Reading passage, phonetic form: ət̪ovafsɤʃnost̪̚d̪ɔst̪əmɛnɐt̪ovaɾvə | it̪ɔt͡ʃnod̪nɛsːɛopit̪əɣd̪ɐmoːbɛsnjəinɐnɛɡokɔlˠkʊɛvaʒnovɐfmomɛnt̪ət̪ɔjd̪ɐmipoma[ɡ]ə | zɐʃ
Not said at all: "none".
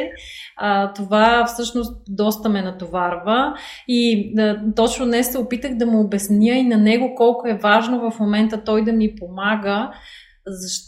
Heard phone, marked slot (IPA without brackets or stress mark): ɡ